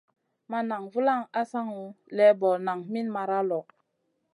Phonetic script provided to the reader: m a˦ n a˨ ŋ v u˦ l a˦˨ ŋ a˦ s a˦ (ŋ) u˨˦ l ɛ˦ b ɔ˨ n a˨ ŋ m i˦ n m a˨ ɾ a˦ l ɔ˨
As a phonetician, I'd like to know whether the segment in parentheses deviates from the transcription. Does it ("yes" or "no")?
no